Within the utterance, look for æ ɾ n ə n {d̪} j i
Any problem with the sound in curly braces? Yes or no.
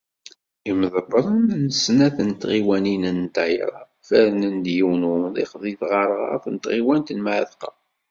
no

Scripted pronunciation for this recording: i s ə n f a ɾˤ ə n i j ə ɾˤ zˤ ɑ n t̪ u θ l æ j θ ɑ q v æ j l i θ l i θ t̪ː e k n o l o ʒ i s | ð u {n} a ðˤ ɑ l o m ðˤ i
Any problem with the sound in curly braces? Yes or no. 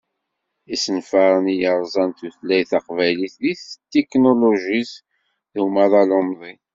yes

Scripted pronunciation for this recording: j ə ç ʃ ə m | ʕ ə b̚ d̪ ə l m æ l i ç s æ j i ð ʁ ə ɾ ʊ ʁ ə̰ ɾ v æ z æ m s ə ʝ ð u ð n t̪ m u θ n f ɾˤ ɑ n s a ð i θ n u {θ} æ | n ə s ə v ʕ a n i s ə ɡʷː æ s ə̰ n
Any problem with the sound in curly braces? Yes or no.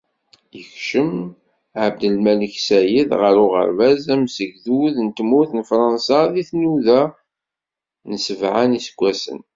yes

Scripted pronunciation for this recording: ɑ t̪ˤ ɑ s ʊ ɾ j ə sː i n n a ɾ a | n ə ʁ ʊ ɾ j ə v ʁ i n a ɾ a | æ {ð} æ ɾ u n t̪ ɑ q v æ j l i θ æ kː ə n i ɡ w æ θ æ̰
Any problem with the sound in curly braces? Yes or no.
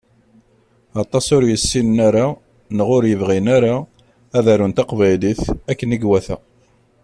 no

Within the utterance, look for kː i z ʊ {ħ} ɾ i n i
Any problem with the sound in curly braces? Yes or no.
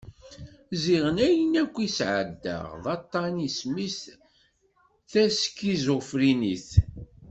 yes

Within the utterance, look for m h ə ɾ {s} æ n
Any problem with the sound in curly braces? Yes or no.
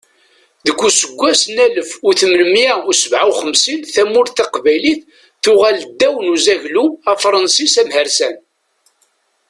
no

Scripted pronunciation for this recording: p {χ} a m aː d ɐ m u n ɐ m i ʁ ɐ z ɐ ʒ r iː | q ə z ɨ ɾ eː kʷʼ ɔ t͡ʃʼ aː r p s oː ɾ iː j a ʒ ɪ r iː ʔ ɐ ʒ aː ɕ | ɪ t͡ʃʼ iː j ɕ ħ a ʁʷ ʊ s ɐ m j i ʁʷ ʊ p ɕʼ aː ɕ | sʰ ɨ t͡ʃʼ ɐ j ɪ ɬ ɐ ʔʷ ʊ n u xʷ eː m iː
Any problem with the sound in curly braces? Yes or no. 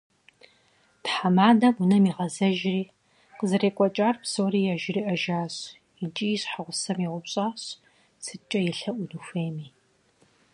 yes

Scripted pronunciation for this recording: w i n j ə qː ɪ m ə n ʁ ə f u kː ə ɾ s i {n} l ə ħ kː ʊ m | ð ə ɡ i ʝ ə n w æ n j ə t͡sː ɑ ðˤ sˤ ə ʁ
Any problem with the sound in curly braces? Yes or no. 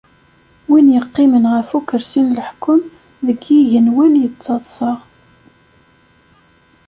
no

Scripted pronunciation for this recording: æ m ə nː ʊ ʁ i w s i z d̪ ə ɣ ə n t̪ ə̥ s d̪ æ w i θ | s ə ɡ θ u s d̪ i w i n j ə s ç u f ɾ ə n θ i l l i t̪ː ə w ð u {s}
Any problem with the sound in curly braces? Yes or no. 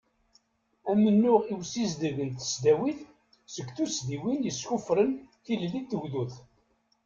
yes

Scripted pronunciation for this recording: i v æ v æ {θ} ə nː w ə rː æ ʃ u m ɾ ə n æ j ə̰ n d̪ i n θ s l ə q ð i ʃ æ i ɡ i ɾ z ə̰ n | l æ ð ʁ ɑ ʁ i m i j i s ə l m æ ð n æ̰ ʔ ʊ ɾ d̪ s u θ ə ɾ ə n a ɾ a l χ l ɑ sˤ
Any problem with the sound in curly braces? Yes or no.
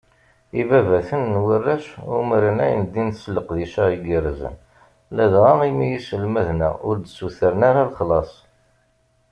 no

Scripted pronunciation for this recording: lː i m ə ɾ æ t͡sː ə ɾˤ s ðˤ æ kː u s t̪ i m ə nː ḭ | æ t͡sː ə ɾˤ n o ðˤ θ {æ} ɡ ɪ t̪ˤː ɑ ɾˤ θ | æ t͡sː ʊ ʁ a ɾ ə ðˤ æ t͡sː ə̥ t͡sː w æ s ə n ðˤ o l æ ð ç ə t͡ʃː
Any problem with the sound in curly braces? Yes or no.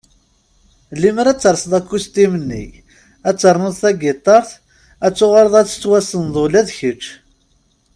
no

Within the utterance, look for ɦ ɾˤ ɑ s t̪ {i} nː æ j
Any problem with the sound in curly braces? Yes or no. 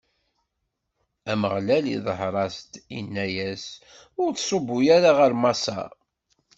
no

